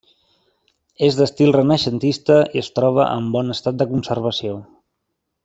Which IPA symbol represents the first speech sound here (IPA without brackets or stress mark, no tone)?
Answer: e